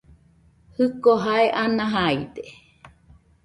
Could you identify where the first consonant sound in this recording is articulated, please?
glottal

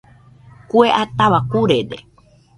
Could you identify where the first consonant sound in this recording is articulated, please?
velar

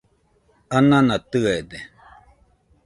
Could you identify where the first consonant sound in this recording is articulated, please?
alveolar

